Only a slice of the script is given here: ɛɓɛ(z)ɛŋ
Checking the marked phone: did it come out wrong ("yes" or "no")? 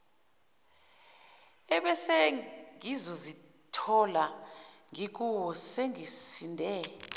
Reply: yes